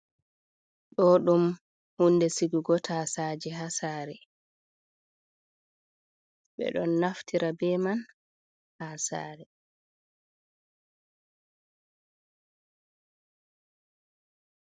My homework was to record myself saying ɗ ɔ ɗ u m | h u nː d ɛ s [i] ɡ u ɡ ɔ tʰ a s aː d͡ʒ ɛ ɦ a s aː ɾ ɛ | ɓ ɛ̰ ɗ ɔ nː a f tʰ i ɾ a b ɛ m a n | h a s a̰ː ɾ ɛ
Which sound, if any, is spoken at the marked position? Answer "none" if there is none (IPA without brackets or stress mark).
i